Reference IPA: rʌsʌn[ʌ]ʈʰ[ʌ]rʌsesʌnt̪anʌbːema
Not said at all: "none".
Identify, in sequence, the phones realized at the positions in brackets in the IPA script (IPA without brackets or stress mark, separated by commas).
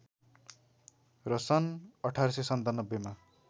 ʌ, a